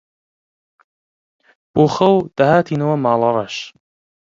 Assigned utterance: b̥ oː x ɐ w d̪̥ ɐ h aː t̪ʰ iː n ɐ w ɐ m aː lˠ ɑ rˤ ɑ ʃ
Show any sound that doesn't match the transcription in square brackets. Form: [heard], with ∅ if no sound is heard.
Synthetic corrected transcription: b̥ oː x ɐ w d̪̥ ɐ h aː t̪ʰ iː n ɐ w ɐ m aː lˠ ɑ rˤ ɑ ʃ